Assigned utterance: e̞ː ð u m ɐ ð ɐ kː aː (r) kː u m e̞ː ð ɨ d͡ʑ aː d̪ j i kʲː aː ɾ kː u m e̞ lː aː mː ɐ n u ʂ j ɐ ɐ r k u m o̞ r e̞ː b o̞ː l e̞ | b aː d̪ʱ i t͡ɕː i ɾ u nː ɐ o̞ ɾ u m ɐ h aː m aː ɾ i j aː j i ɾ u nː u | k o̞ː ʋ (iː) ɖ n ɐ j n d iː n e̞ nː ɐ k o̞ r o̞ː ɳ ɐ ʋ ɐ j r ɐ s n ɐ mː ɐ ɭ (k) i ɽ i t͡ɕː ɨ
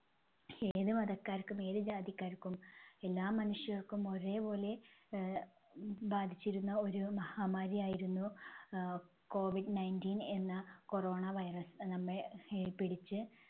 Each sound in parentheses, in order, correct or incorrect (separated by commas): incorrect, incorrect, incorrect